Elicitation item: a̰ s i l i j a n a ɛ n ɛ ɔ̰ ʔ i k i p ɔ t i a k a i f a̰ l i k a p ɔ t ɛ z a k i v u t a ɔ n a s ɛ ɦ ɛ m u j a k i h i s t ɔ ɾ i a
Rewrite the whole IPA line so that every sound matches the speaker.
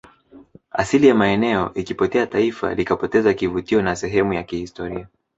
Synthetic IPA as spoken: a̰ s i l i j a m a ɛ n ɛ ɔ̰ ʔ i k i p ɔ t ɛ a t a i f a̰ l i k a p ɔ t ɛ z a k i v u t i ɔ n a s ɛ ɦ ɛ m u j a k i h i s t ɔ ɾ i a